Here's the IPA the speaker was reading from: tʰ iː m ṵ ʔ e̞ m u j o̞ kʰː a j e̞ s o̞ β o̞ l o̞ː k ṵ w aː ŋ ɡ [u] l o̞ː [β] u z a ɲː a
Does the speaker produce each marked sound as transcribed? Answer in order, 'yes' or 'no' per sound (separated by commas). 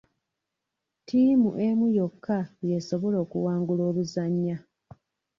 yes, yes